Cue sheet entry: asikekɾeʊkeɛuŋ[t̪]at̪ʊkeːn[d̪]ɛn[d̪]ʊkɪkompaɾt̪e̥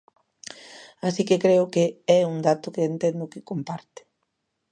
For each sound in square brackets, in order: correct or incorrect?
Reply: incorrect: d̪, incorrect: t̪, correct

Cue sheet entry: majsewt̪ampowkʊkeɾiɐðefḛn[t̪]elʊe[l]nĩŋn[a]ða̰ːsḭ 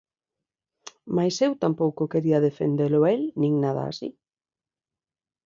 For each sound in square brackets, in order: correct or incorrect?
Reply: incorrect: d̪, correct, correct

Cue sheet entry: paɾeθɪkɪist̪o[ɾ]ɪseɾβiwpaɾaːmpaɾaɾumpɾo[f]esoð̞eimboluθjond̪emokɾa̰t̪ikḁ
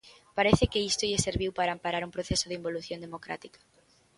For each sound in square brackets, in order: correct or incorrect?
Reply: incorrect: ʎ, incorrect: θ

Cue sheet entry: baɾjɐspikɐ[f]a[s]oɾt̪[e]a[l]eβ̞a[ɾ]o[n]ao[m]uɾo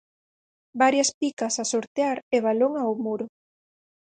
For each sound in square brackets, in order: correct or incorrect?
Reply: incorrect: s, correct, correct, incorrect: ɾ, incorrect: l, incorrect: ŋ, correct

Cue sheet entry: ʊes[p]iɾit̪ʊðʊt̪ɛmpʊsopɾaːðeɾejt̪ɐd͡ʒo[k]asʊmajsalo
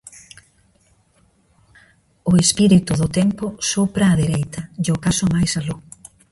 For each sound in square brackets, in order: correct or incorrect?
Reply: correct, correct

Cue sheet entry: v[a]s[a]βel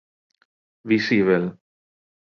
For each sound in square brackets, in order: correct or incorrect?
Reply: incorrect: i, incorrect: i

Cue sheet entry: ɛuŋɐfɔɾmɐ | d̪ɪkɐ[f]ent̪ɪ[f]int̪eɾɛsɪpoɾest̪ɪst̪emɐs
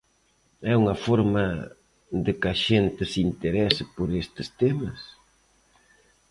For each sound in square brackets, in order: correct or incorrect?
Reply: incorrect: ʃ, incorrect: s

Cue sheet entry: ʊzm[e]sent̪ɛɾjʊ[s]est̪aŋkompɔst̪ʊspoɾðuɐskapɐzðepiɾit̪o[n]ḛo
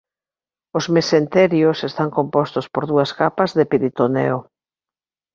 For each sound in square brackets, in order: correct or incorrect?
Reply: correct, correct, correct

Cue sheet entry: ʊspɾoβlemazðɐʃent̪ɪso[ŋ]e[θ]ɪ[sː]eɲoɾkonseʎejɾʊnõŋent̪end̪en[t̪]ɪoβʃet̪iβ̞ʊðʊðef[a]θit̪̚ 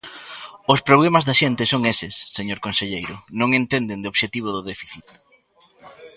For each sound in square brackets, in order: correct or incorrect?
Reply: correct, incorrect: s, correct, incorrect: d̪, incorrect: i

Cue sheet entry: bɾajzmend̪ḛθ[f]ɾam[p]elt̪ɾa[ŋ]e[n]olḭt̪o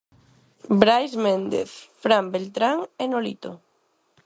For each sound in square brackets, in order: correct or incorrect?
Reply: correct, incorrect: b, correct, correct

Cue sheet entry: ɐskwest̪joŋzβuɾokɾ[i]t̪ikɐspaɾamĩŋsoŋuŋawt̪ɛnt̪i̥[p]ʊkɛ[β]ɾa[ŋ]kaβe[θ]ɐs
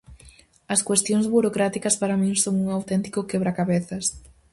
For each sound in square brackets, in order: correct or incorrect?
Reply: incorrect: a, incorrect: k, correct, incorrect: none, correct

